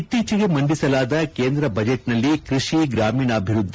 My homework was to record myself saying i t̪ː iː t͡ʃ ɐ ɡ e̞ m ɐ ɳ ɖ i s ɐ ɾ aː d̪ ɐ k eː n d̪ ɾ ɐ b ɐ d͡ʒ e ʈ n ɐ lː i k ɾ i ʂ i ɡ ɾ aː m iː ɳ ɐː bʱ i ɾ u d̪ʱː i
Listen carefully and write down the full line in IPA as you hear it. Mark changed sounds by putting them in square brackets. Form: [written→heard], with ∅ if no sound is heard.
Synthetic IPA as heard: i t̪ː iː t͡ʃ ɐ ɡ e̞ m ɐ ɳ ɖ i s ɐ [ɾ→l] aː d̪ ɐ k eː n d̪ ɾ ɐ b ɐ d͡ʒ e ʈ n ɐ lː i k ɾ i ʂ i ɡ ɾ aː m iː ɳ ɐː bʱ i ɾ u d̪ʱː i